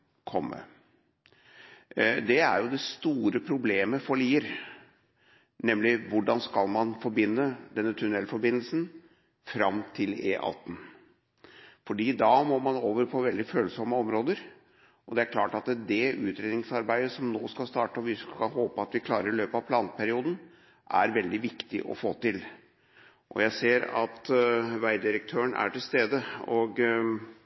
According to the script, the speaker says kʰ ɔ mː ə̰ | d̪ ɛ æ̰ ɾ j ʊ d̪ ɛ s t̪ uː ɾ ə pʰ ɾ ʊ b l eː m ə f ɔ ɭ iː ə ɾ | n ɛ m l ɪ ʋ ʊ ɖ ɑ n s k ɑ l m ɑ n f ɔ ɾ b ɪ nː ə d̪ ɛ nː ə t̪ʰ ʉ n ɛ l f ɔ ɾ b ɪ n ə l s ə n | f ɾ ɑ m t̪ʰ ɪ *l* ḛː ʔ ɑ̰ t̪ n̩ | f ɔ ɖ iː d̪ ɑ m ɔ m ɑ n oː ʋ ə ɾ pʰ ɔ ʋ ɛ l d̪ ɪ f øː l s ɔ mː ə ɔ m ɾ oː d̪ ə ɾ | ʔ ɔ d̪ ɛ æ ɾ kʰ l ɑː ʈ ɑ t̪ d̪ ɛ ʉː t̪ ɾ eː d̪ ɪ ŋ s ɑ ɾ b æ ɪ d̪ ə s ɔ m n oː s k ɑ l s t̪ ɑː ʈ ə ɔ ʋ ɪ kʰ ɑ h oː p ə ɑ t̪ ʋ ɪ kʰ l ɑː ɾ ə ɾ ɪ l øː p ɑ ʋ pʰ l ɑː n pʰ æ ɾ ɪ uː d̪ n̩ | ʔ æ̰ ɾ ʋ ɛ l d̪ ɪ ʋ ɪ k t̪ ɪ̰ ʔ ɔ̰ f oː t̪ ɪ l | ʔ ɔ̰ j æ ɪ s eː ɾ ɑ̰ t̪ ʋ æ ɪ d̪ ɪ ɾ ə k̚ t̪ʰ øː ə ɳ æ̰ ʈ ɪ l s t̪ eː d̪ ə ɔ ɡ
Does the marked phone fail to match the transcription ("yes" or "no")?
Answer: no